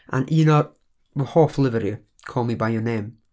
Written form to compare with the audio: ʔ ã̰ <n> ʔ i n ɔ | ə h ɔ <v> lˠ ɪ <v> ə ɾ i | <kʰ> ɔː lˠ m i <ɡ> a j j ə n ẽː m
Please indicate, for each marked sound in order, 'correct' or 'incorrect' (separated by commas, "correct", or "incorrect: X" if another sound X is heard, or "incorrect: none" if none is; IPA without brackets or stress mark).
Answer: correct, incorrect: f, correct, correct, incorrect: b